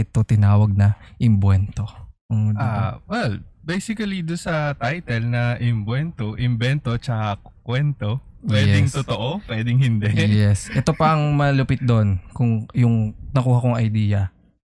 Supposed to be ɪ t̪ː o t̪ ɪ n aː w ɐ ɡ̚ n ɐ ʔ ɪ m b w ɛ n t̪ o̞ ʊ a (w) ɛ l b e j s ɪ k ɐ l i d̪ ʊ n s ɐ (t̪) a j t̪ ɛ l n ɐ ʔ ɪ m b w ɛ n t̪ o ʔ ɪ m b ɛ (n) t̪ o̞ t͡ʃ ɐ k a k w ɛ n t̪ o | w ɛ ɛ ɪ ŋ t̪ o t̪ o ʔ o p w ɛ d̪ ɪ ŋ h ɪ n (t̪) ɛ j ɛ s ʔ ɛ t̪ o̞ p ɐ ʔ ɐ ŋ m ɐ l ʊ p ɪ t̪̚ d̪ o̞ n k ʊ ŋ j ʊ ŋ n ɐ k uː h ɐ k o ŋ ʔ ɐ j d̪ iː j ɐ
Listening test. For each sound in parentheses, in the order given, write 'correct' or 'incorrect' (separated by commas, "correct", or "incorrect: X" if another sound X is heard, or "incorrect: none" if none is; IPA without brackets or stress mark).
correct, correct, correct, incorrect: d̪